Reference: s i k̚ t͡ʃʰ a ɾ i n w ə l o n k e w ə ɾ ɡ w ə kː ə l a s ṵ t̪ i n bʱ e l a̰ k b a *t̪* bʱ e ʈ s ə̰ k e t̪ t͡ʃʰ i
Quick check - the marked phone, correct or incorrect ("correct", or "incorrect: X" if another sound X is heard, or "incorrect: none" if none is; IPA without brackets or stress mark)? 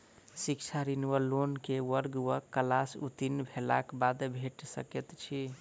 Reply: incorrect: d̪